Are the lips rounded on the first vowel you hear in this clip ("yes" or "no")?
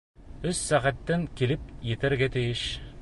yes